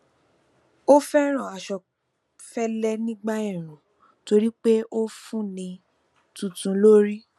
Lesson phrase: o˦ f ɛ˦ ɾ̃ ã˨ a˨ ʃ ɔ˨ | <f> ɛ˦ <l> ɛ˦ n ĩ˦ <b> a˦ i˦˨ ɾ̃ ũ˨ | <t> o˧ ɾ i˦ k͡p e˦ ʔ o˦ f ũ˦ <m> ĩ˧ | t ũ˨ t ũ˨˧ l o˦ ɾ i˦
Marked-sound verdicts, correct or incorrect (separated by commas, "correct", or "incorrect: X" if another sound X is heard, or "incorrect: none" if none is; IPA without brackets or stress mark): correct, correct, incorrect: ɡ͡b, correct, incorrect: n